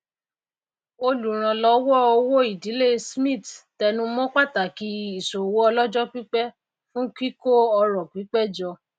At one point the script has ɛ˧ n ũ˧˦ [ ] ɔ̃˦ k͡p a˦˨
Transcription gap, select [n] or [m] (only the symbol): m